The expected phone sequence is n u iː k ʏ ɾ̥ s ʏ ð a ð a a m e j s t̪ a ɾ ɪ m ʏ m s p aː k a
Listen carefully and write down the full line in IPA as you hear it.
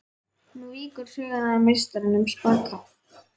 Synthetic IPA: n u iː k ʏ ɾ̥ s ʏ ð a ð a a m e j s t̪ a ɾ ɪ n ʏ m s p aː k a